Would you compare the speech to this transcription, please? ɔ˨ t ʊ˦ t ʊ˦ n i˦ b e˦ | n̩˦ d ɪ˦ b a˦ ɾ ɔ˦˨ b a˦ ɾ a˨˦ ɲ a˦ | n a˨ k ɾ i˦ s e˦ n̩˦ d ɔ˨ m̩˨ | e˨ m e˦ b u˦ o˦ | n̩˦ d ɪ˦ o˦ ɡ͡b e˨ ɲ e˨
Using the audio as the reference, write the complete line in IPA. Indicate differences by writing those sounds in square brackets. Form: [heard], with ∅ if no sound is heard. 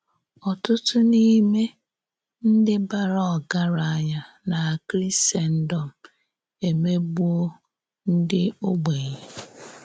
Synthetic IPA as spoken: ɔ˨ t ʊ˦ t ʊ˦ n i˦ [m] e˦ | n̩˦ d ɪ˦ b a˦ ɾ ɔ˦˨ [ɡ] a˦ ɾ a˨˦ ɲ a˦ | n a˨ k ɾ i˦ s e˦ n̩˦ d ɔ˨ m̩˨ | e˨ m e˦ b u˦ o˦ | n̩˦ d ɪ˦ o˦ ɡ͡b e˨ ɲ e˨